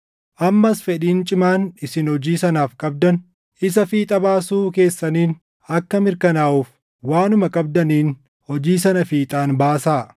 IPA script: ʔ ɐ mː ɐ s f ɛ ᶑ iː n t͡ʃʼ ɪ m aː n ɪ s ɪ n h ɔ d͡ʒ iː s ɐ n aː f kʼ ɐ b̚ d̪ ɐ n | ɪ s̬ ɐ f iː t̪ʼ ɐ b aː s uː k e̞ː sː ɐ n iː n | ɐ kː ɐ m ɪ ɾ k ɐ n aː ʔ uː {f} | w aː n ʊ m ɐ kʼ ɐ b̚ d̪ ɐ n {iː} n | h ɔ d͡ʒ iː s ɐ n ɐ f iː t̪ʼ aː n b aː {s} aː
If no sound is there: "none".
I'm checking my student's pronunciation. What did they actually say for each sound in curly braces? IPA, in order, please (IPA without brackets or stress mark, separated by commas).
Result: f, iː, s